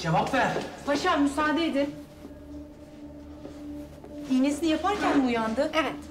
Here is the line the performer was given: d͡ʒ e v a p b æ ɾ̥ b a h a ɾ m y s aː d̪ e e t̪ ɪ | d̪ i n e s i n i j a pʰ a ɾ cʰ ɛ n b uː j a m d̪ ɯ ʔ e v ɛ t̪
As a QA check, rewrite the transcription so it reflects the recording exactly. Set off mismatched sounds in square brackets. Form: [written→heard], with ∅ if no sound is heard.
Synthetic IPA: d͡ʒ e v a p [b→v] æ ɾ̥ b a [h→ʃ] a ɾ m y s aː d̪ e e [t̪→d̪] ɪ | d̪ i n e s i n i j a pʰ a ɾ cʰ [ɛ→æ] n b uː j a [m→n] d̪ ɯ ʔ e v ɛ t̪